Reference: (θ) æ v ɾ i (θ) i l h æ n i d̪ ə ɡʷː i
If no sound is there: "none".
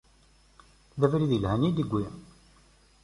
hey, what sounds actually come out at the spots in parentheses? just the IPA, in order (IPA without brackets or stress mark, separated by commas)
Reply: ð, ð